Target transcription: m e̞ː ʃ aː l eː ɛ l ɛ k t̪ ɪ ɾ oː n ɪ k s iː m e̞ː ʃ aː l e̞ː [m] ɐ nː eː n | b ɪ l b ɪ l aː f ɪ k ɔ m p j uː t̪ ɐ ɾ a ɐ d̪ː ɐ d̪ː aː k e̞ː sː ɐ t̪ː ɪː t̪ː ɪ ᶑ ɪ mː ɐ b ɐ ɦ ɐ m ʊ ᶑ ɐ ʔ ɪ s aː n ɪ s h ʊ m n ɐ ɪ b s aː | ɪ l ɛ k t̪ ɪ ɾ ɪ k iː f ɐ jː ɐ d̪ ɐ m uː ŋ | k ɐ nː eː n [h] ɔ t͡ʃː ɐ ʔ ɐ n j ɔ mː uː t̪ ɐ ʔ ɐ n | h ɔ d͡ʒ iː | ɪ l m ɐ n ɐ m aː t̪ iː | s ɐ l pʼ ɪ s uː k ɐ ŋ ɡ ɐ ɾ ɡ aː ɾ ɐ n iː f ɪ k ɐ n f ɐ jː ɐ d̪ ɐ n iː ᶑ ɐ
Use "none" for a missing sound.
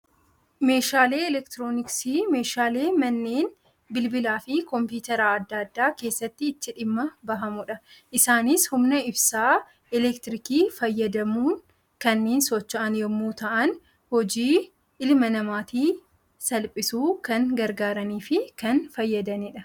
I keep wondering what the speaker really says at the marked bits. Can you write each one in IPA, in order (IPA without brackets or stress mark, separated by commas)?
m, s